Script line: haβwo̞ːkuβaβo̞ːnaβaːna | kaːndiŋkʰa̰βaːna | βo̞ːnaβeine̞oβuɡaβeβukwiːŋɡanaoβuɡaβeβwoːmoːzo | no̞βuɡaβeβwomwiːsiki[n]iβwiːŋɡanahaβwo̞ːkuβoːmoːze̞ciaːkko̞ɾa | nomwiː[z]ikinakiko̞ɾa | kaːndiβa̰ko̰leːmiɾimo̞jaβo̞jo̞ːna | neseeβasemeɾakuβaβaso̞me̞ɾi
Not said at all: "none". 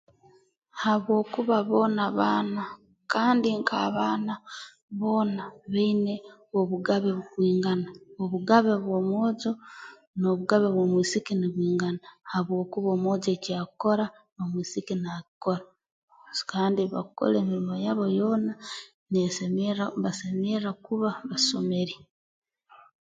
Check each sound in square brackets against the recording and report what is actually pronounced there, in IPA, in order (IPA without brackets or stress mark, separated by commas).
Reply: n, s